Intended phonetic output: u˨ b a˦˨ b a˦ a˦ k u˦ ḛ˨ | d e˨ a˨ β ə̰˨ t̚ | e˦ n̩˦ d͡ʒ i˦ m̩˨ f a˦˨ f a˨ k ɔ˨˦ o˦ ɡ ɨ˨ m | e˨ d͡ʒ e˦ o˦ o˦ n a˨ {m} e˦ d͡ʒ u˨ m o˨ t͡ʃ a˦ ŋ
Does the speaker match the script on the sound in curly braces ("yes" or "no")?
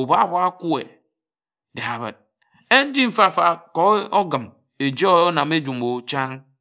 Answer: yes